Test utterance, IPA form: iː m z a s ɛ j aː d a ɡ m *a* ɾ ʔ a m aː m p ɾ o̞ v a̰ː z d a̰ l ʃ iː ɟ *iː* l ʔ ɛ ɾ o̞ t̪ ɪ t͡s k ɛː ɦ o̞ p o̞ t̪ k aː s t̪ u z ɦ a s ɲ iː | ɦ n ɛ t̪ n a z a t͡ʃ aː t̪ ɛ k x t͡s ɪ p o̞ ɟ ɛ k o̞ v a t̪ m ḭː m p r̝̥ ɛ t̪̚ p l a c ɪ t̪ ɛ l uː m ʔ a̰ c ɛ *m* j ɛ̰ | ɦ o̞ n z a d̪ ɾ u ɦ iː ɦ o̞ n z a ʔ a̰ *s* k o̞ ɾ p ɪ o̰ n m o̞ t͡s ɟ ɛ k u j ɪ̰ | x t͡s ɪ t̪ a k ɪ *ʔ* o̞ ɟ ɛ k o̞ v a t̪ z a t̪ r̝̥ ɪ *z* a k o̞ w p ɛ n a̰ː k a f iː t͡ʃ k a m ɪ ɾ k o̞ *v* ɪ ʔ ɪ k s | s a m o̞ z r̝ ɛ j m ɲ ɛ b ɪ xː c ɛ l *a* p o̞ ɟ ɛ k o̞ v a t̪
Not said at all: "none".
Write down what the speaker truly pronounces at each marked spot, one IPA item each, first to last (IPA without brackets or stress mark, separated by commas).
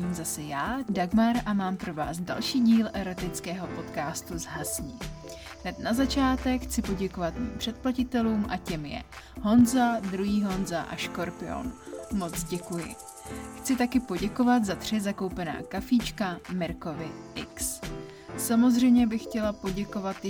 a, iː, m, ʃ, p, z, v, a